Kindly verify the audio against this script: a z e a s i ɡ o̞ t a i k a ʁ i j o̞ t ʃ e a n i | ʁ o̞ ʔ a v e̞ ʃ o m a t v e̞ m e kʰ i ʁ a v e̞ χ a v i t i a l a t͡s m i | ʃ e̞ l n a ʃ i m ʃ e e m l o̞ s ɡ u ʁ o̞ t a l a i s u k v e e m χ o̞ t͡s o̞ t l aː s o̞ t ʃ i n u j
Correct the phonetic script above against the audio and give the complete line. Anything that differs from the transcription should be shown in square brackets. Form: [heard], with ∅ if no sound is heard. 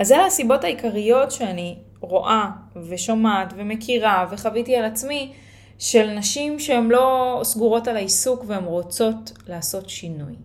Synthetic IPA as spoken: a z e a s i [b] o̞ t a i k a ʁ i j o̞ t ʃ e a n i | ʁ o̞ ʔ a v e̞ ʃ o m a t v e̞ m e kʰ i ʁ a v e̞ χ a v i t i a l a t͡s m i | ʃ e̞ l n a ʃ i m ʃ e e m l o̞ s ɡ u ʁ o̞ t a l a i s u k v e e m [ʁ] o̞ t͡s o̞ t l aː s o̞ t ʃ i n u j